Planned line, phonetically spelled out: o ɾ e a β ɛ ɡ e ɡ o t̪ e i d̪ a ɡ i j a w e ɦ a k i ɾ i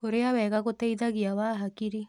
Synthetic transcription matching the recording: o ɾ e a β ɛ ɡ a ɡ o t̪ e i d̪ a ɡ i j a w a ɦ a k i ɾ i